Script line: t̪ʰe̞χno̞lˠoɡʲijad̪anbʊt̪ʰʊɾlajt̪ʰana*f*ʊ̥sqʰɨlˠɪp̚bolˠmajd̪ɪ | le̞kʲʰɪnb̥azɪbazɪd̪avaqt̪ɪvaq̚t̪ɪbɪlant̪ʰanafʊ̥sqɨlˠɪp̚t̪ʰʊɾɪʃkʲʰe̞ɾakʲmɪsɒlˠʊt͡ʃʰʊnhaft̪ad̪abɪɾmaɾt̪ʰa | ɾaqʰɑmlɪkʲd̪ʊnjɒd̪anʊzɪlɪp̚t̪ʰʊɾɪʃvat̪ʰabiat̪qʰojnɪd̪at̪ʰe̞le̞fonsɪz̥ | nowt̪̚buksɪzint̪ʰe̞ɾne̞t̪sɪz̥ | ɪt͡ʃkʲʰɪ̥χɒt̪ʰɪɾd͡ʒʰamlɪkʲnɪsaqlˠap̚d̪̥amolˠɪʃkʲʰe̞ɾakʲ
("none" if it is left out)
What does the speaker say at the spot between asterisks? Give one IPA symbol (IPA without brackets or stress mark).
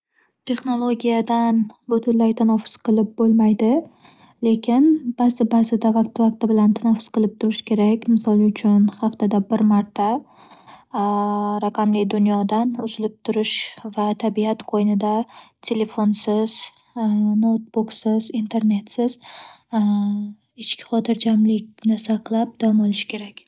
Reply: f